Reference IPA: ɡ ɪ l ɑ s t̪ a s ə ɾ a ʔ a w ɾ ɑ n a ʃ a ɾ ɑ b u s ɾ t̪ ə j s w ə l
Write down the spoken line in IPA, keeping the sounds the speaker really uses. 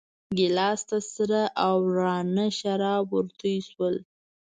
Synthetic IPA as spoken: ɡ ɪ l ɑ s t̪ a s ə ɾ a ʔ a w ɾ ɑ n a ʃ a ɾ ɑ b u ɾ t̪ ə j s w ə l